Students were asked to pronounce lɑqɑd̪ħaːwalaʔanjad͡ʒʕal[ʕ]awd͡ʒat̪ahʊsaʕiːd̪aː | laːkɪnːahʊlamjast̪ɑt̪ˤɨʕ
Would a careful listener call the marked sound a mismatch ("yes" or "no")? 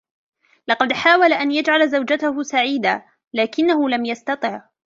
yes